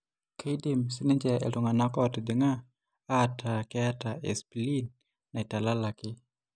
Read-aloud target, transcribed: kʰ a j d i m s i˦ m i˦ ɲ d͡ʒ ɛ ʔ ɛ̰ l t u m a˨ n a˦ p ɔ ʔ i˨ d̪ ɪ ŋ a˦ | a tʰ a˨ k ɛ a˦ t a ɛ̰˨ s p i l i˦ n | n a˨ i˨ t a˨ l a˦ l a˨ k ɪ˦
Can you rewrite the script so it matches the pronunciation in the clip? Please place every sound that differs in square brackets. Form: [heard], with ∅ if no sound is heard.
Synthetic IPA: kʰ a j d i m s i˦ [n] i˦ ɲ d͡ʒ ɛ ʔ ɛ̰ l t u [ŋ] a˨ n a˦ [k] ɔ [t] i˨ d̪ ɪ ŋ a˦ | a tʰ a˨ k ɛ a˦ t a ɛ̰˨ s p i l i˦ n | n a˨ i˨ t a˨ l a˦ l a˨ k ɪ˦